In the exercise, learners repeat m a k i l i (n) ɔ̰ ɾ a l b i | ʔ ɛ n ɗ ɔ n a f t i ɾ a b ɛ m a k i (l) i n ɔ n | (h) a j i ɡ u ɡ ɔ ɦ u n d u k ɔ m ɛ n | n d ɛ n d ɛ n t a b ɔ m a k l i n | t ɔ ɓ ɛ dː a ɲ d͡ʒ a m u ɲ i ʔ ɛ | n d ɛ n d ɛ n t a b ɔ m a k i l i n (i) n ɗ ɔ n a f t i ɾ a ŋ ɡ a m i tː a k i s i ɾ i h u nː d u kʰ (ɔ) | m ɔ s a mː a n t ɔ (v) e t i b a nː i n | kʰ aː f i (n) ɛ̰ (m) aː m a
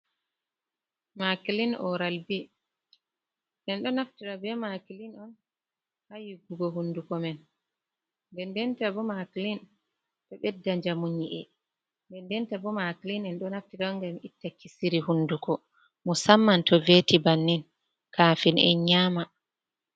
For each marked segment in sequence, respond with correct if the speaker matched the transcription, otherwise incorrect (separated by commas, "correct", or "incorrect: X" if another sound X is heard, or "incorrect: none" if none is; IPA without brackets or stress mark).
correct, correct, correct, incorrect: ɛ, correct, correct, correct, incorrect: ɲ